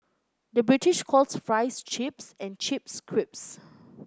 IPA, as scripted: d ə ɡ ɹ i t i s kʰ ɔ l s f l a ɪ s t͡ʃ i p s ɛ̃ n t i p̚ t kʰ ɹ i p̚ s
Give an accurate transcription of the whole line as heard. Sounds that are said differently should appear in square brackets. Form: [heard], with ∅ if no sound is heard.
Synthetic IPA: d ə [b] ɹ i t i [ʃ] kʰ ɔ l s f [ɹ] a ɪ s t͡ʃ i p s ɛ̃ n [t͡ʃ] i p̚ [s] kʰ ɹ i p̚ s